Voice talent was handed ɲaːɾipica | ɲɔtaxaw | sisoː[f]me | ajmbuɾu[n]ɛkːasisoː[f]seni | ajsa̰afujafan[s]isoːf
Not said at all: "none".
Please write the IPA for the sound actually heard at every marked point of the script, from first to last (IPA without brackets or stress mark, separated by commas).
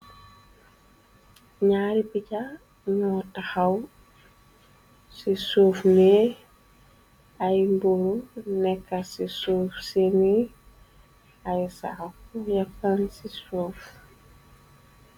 f, n, f, s